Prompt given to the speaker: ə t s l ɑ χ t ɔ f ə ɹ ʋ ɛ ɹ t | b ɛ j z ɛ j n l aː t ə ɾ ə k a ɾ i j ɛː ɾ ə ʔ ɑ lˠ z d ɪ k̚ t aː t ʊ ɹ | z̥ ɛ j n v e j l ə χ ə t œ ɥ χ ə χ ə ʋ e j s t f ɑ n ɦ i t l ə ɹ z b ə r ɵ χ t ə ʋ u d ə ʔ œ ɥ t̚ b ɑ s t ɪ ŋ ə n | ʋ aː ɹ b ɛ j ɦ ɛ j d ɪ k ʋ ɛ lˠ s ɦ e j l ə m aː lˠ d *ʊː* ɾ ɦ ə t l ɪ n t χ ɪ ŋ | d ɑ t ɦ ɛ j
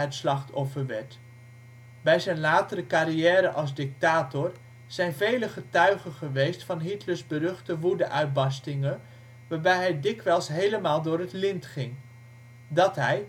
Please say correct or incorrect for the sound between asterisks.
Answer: correct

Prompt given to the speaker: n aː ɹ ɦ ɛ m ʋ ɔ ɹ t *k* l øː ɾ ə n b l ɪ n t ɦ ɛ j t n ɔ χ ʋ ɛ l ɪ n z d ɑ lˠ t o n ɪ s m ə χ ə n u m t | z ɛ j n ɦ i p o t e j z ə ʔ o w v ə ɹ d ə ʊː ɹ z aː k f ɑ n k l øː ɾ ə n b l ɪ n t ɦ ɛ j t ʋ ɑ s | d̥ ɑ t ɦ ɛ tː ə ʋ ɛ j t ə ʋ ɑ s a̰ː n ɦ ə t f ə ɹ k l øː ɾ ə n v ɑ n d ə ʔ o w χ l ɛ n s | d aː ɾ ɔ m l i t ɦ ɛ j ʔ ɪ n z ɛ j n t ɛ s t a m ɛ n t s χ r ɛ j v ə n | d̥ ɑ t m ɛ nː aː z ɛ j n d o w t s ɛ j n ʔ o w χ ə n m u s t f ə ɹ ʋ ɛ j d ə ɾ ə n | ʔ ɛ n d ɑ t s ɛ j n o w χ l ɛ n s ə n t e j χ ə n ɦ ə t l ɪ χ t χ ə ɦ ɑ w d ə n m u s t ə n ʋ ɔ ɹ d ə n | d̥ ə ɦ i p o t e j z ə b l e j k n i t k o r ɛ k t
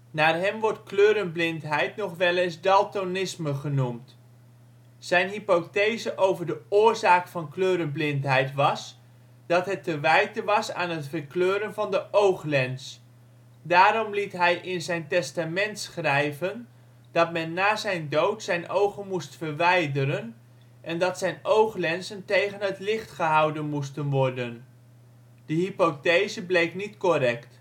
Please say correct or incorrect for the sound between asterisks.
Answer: correct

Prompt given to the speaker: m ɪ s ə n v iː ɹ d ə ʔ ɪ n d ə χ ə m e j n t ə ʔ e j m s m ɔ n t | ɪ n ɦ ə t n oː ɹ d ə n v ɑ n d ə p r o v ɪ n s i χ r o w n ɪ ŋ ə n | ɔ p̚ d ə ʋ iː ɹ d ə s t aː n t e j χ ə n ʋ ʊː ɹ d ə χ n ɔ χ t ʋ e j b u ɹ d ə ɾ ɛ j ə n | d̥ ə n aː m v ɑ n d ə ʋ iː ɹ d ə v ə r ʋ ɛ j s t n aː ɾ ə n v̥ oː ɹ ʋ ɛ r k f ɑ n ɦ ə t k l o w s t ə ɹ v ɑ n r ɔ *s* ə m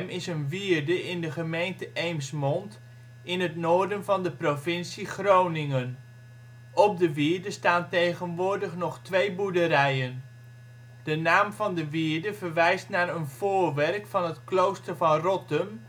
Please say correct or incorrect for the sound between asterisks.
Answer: incorrect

